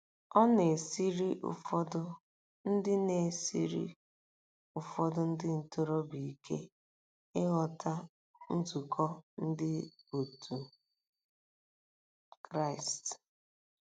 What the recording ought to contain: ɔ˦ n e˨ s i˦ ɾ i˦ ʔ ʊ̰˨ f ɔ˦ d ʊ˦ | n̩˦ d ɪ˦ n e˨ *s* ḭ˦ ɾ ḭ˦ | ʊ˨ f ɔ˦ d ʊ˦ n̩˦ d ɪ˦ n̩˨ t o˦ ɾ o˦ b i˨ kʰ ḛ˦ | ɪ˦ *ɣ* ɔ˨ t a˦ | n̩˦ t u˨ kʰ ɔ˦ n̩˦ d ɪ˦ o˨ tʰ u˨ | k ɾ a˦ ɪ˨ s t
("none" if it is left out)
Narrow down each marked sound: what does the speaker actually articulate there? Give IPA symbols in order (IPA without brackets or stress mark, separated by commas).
s, ɣ